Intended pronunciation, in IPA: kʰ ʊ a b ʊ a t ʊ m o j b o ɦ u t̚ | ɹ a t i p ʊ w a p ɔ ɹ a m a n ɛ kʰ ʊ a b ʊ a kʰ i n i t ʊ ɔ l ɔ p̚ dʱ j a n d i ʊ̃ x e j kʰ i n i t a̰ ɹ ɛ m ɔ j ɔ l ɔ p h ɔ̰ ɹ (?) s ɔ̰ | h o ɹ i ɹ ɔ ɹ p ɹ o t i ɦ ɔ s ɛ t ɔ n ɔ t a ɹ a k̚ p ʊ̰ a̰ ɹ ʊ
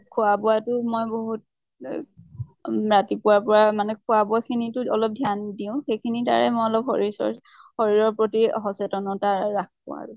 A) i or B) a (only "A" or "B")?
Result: A